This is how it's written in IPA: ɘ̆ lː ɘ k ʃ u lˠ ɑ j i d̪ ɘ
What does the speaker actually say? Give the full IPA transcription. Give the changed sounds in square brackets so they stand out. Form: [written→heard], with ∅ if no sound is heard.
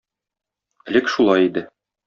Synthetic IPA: ɘ̆ [lː→l] ɘ k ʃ u lˠ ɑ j i d̪ ɘ